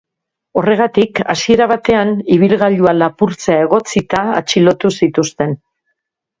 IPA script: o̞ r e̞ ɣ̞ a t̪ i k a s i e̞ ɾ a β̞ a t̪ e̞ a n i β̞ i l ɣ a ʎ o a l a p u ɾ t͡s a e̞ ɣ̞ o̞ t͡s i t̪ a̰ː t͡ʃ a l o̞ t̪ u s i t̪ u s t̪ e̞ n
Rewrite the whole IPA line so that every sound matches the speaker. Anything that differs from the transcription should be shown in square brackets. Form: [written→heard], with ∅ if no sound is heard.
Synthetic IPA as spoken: o̞ r e̞ ɣ̞ a t̪ i k a s i e̞ ɾ a β̞ a t̪ e̞ a n i β̞ i l ɣ a ʎ [o→u] a l a p u ɾ t͡s a e̞ ɣ̞ o̞ t͡s i t̪ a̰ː t͡ʃ [a→i] l o̞ t̪ u s i t̪ u s t̪ e̞ n